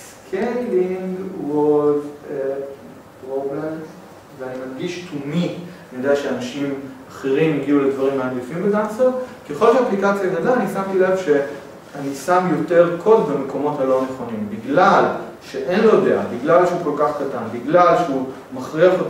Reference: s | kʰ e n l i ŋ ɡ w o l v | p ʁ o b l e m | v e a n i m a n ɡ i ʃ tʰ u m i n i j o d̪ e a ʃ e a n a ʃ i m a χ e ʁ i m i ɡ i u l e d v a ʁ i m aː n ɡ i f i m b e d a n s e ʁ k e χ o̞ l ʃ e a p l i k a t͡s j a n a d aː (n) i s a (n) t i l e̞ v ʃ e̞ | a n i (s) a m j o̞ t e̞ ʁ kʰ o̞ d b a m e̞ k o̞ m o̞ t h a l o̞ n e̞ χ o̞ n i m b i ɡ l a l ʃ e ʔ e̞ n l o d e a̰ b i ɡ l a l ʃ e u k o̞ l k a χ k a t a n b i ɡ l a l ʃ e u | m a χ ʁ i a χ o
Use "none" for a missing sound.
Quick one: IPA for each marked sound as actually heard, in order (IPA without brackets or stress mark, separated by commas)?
n, m, s